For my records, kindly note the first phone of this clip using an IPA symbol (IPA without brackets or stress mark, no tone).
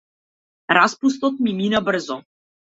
ɾ